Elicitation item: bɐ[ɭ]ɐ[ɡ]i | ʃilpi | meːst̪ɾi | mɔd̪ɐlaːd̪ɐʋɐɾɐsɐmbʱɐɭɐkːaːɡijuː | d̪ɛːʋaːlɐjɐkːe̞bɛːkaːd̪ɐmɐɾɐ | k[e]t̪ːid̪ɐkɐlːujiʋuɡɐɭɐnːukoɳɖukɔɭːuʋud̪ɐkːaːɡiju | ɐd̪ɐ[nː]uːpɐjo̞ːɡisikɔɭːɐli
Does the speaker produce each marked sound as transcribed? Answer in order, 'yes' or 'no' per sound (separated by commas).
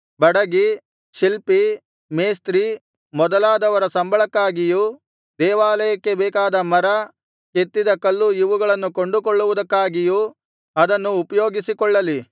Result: no, yes, yes, yes